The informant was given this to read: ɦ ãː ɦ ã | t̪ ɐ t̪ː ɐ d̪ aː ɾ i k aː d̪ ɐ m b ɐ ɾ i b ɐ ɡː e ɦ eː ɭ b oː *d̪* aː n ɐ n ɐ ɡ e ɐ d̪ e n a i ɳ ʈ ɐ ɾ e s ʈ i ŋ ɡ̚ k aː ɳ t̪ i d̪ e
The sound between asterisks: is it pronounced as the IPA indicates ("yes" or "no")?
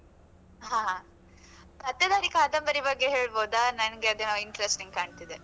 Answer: yes